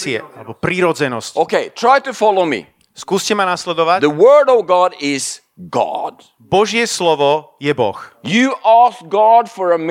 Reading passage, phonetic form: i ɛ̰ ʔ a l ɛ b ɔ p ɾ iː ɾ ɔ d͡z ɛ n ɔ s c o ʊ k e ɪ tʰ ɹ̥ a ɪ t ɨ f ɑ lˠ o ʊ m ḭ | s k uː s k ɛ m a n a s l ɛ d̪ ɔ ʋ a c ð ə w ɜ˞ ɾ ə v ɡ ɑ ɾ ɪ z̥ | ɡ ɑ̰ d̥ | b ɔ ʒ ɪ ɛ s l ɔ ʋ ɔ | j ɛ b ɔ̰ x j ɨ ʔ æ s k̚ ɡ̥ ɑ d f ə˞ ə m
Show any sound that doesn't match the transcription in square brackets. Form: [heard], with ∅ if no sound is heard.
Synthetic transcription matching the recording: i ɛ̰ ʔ a l ɛ b ɔ p ɾ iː ɾ ɔ d͡z ɛ n ɔ s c o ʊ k e ɪ tʰ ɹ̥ a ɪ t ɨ f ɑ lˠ o ʊ m ḭ | s k uː s [c] ɛ m a n a s l ɛ d̪ ɔ ʋ a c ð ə w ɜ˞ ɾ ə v ɡ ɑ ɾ ɪ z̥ | ɡ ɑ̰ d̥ | b ɔ ʒ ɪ ɛ s l ɔ ʋ ɔ | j ɛ b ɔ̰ x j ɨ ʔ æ s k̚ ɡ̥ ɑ d f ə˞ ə m